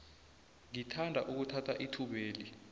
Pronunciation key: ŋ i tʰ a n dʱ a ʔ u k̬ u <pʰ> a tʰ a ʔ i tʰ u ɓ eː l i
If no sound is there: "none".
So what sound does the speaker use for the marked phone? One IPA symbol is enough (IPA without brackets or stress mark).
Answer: tʰ